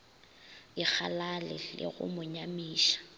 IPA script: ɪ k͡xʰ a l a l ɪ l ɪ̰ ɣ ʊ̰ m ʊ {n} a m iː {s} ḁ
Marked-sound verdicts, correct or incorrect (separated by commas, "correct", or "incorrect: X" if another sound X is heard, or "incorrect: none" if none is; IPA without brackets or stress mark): incorrect: ɲ, incorrect: ʃ